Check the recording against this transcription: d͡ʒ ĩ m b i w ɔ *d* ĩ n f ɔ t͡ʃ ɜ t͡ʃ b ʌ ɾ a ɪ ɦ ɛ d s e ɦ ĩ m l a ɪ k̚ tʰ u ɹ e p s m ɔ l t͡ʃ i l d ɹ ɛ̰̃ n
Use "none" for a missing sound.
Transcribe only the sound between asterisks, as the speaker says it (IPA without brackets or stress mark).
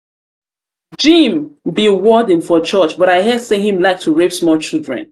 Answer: d